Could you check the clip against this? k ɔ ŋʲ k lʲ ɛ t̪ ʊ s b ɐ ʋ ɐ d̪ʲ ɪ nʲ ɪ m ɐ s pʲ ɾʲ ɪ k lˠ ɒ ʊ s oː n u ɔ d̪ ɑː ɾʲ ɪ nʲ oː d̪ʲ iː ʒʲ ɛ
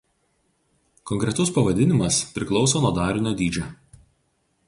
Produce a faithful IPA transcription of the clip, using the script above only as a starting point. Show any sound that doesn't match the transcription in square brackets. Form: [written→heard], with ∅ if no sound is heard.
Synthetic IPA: k ɔ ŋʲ k [lʲ→ɾʲ] ɛ t̪ ʊ s [b→p] ɐ ʋ ɐ d̪ʲ ɪ nʲ ɪ m ɐ s pʲ ɾʲ ɪ k lˠ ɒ ʊ s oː n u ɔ d̪ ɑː ɾʲ ɪ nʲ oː d̪ʲ iː [ʒʲ→d͡ʒʲ] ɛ